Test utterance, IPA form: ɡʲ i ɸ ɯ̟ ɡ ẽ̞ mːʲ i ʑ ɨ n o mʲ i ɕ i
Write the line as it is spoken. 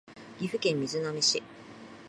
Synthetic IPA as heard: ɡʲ i ɸ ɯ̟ k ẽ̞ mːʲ i z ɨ n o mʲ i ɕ i